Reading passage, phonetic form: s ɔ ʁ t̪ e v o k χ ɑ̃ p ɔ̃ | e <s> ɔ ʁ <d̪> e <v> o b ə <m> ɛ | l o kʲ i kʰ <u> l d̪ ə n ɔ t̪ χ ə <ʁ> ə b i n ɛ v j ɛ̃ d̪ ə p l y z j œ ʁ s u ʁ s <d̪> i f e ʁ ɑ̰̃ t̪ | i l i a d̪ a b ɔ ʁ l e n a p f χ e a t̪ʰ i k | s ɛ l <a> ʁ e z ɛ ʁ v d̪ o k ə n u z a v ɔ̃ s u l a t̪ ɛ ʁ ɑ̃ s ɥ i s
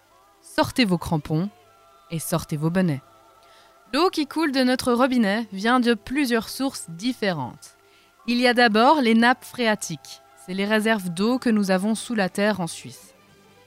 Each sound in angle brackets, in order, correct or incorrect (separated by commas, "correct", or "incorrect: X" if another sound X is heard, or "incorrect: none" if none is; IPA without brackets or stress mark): correct, incorrect: t̪, correct, incorrect: n, correct, correct, correct, incorrect: e